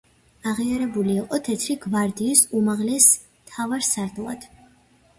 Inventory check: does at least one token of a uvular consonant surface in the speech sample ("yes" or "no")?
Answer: yes